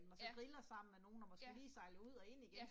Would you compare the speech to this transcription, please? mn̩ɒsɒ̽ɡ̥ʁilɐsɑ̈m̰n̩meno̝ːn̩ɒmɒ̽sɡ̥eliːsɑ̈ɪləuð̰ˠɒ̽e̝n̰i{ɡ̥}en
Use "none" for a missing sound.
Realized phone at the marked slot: ɡ̥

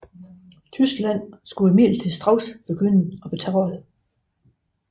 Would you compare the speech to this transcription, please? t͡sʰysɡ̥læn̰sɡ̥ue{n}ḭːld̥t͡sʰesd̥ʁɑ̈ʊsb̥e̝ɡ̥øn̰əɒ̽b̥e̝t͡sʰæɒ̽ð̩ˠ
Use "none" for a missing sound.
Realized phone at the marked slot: m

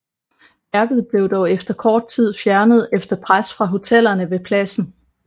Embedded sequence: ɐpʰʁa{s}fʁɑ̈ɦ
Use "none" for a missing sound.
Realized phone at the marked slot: s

